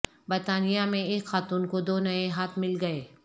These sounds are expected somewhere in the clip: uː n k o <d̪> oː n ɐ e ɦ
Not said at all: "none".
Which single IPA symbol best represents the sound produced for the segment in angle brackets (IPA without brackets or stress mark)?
d̪